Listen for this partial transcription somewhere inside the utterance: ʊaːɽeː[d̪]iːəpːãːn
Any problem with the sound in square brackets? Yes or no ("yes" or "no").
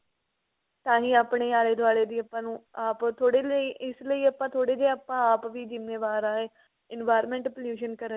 no